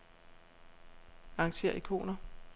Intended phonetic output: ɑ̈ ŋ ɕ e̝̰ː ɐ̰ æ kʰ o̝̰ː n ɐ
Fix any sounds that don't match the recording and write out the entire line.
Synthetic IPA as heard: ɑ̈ ŋ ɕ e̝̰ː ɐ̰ i kʰ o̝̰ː n ɐ